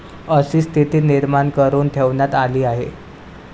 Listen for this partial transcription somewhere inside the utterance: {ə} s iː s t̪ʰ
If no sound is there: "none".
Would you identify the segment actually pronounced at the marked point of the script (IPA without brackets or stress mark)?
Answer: ə